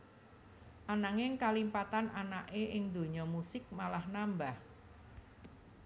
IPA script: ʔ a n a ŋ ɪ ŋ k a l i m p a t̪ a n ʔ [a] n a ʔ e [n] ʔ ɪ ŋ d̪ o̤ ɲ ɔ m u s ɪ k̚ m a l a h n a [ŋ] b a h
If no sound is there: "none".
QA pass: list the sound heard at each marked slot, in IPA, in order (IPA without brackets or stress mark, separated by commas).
a, none, m